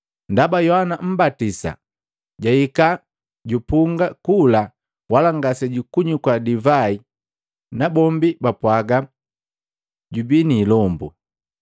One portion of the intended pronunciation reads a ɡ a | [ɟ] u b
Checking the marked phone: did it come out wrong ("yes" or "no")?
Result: no